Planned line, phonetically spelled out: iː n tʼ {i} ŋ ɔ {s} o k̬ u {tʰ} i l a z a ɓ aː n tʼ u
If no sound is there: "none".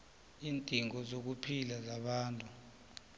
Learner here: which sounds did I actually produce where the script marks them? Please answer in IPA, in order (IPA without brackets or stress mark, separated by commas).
i, z, pʰ